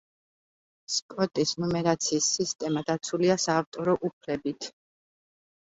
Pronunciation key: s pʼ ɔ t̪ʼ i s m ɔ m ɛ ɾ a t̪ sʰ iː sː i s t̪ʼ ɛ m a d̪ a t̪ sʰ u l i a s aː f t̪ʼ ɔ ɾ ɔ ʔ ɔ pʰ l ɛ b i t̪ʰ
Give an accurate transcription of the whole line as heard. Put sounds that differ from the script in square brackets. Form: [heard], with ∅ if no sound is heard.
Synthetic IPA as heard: s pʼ ɔ t̪ʼ i s [n] ɔ m ɛ ɾ a t̪ sʰ iː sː i s t̪ʼ ɛ m a d̪ a t̪ sʰ u l i a s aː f t̪ʼ ɔ ɾ ɔ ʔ [u] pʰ l ɛ b i t̪ʰ